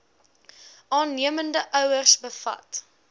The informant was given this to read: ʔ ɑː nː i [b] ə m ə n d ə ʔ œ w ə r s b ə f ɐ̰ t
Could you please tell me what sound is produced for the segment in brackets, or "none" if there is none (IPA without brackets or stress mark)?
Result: none